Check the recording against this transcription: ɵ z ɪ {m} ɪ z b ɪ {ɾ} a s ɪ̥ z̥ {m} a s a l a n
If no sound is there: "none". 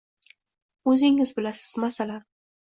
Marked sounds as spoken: ŋ, l, m

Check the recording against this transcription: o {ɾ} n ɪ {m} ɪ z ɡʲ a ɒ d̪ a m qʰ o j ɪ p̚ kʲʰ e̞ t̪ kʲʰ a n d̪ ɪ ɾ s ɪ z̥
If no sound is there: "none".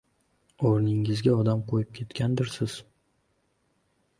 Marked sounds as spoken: ɾ, ŋ

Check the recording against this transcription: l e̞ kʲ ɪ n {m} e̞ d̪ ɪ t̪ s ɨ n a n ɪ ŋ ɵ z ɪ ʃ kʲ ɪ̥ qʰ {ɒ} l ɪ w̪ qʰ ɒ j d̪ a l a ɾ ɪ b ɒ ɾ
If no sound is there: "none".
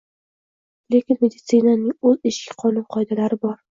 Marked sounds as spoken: m, ɒ

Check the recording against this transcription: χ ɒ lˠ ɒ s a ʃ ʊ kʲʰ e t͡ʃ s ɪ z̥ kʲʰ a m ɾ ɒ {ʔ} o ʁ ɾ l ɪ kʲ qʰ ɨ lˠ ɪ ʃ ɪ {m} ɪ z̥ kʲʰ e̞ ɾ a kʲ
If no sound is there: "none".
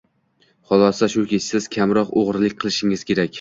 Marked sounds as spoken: q, ŋ

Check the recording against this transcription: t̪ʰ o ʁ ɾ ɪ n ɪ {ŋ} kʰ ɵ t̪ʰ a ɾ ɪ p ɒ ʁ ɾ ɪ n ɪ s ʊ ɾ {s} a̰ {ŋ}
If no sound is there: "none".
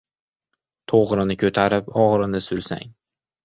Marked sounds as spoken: none, s, ŋ

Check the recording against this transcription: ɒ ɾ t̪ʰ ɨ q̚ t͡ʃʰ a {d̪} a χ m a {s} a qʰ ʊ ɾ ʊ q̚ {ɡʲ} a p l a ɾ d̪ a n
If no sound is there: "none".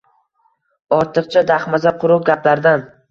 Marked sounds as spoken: d̪, z, ɡʲ

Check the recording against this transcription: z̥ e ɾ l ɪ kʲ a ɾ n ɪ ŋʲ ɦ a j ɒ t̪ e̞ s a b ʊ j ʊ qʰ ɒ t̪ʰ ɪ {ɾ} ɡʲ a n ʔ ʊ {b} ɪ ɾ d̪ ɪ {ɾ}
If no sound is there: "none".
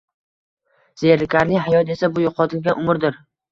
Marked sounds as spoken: l, m, ɾ

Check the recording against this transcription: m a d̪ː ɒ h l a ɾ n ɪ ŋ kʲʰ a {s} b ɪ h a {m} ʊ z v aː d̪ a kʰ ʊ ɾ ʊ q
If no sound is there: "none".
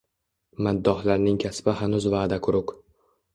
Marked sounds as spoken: s, n

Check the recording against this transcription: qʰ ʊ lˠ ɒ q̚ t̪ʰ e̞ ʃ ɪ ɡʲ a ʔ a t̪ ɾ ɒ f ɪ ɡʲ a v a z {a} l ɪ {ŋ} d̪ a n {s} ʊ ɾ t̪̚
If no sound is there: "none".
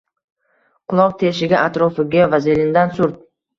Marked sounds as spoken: e, n, s

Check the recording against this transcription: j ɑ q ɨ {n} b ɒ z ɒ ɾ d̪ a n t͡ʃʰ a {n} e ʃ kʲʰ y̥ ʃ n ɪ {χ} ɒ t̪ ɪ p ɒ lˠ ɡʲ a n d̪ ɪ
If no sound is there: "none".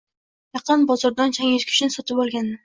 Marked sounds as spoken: n, ŋ, s

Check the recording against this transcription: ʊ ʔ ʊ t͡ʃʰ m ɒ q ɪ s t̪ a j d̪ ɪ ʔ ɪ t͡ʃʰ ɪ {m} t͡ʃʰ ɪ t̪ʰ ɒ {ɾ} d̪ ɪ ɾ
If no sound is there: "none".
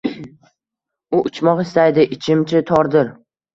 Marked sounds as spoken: m, ɾ

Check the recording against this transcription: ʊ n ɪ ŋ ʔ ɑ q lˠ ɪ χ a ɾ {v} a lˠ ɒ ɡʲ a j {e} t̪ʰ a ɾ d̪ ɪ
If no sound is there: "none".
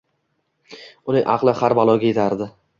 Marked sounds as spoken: b, e

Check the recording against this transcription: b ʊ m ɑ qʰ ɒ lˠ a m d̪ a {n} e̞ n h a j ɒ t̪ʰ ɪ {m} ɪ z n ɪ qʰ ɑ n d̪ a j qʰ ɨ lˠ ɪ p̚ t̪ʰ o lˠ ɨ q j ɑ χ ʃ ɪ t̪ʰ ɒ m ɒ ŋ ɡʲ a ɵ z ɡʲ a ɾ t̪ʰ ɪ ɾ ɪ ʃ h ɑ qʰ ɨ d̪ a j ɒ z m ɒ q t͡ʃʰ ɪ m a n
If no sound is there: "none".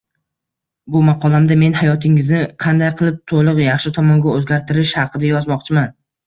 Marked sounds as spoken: m, ŋ

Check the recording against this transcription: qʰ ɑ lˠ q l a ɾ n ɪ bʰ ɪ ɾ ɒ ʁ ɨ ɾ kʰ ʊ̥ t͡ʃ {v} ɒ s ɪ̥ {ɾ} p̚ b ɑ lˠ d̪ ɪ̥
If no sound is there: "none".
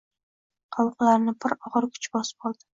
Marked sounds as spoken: b, none

